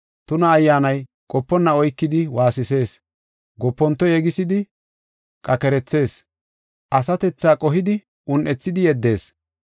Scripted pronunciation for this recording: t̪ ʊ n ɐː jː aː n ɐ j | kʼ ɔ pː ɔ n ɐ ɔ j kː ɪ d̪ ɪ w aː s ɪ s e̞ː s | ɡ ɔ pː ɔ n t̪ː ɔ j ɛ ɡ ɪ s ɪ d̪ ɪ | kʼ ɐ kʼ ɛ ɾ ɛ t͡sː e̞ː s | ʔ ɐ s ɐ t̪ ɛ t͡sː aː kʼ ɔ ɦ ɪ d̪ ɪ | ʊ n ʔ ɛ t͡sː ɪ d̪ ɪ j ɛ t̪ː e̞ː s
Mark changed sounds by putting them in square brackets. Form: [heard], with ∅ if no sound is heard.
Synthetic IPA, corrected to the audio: t̪ ʊ n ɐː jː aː n ɐ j | kʼ ɔ pː ɔ [nː] ɐ ɔ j kː ɪ d̪ ɪ w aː s ɪ s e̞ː s | ɡ ɔ pː ɔ n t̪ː ɔ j ɛ ɡ ɪ s ɪ d̪ ɪ | kʼ ɐ [k] ɛ ɾ ɛ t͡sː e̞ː s | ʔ ɐ s ɐ t̪ ɛ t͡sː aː kʼ ɔ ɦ ɪ d̪ ɪ | ʊ n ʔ ɛ t͡sː ɪ d̪ ɪ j ɛ [d̪ː] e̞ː s